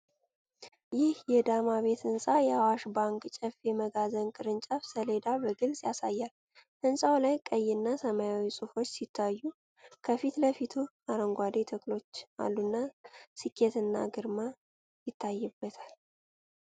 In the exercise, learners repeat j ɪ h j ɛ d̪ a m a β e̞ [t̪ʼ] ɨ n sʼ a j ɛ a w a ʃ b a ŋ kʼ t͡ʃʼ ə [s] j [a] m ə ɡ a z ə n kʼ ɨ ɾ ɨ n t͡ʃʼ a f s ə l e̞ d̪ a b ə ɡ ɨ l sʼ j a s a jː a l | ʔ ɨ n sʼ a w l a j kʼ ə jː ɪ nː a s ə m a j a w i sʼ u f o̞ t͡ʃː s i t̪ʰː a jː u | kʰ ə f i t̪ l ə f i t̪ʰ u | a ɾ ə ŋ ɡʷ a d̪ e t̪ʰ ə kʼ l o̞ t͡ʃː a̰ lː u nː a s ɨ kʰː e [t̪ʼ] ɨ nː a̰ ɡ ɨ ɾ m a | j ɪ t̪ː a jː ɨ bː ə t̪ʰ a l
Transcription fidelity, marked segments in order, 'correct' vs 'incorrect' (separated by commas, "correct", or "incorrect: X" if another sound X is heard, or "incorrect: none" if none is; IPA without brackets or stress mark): incorrect: t̪, incorrect: f, incorrect: ɛ, incorrect: t̪